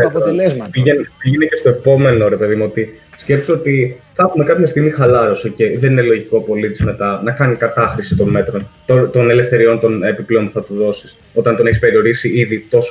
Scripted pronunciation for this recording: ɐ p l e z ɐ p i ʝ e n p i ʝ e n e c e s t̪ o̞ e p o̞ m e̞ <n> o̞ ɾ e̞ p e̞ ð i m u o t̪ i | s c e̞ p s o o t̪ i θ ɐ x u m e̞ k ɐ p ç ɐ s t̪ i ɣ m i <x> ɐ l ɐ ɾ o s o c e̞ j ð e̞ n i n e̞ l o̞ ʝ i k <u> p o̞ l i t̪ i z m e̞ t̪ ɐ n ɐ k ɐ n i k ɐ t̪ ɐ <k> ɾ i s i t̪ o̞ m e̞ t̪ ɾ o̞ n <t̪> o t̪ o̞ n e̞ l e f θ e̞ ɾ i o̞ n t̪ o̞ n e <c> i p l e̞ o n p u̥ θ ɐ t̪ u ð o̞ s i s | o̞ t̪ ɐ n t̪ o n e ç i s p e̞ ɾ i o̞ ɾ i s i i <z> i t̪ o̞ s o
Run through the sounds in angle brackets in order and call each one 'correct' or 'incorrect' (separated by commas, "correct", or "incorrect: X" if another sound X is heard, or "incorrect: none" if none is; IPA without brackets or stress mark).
correct, correct, incorrect: o, incorrect: x, correct, incorrect: p, incorrect: ð